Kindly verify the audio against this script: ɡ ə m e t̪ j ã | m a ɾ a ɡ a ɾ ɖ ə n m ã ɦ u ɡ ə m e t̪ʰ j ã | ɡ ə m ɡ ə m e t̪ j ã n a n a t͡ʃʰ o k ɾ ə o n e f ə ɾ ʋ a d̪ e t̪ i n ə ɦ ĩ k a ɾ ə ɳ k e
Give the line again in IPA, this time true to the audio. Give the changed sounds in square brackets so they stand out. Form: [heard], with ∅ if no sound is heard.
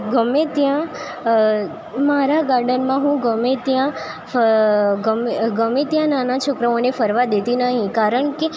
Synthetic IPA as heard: ɡ ə m e t̪ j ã | m a ɾ a ɡ a ɾ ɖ ə n m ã ɦ [ũ] ɡ ə m e [t̪] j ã | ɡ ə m ɡ ə m e t̪ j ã n a n a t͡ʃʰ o k ɾ ə o n e f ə ɾ ʋ a d̪ e t̪ i n ə ɦ ĩ k a ɾ ə ɳ k e